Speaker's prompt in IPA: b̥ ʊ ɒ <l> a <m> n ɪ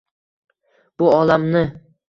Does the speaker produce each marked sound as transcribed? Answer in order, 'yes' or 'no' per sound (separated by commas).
yes, yes